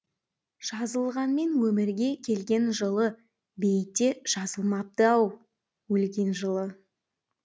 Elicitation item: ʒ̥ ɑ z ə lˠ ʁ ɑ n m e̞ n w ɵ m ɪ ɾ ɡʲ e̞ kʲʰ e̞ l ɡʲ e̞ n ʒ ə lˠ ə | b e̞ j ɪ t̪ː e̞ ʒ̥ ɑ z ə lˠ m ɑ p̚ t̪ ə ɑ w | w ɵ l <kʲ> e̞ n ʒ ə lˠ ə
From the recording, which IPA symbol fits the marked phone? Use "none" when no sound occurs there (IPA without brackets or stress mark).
ɡʲ